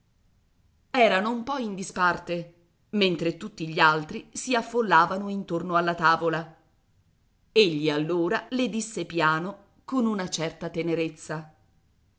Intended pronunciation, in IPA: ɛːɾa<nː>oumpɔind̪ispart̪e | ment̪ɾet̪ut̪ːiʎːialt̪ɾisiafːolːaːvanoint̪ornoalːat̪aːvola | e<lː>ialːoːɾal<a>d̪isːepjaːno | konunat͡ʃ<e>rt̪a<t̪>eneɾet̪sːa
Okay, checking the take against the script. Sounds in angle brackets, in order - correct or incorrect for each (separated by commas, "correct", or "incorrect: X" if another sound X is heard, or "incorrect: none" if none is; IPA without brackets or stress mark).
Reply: incorrect: n, incorrect: ʎː, incorrect: e, incorrect: ɛ, correct